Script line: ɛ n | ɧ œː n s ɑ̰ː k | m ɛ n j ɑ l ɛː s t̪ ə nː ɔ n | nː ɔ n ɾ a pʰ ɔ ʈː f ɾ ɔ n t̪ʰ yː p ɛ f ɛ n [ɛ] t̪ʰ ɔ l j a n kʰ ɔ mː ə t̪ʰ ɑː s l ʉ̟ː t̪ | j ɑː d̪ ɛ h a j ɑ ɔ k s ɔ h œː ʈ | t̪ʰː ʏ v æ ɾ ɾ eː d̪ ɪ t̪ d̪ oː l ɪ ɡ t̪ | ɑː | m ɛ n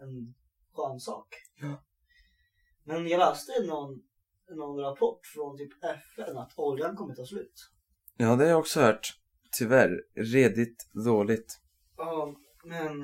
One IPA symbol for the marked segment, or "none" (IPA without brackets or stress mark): a